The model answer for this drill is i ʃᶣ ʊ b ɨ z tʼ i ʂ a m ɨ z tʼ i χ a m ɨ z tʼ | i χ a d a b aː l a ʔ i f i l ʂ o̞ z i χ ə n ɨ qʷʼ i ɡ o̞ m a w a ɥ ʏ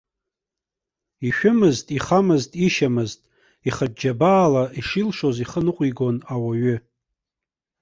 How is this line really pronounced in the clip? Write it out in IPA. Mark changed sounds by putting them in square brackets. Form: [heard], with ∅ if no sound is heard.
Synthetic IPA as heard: i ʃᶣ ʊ [m] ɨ z tʼ i [χ] a m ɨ z tʼ i [ʃ] a m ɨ z tʼ | i χ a [d͡ʒ] a b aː l a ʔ i [ʂ] i l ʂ o̞ z i χ ə n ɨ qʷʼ i ɡ o̞ [n] a w a ɥ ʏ